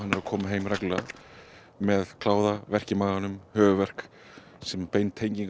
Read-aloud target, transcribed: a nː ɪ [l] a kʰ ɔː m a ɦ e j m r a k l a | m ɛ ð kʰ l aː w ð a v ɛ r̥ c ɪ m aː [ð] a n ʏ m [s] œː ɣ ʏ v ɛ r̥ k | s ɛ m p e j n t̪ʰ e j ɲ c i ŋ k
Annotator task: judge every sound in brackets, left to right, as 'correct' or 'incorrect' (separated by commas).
incorrect, incorrect, incorrect